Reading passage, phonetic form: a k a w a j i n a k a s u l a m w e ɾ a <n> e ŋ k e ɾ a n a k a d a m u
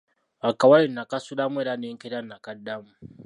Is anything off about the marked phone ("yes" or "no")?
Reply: no